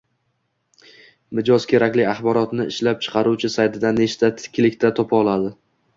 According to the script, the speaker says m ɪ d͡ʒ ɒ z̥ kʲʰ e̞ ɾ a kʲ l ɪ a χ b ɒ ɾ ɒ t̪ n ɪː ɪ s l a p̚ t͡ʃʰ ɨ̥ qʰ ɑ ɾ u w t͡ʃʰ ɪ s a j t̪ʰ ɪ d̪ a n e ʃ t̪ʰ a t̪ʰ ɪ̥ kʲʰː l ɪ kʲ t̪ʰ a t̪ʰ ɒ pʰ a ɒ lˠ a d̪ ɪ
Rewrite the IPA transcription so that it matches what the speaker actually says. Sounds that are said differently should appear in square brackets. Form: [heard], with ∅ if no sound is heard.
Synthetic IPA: m ɪ d͡ʒ ɒ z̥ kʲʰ e̞ ɾ a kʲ l ɪ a χ b ɒ ɾ ɒ t̪ n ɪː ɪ [ʃ] l a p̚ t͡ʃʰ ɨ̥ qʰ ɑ ɾ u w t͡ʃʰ ɪ s a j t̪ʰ ɪ d̪ a n e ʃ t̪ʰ a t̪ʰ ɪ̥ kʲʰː l ɪ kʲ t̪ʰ a t̪ʰ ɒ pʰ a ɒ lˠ a d̪ ɪ